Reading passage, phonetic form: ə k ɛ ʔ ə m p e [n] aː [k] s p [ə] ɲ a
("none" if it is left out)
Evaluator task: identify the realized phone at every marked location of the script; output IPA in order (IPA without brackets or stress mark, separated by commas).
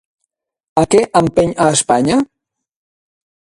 ɲ, none, a